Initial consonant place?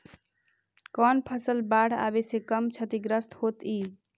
velar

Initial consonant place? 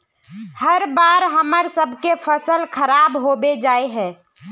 glottal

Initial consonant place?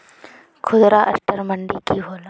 velar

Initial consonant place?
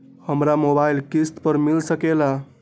glottal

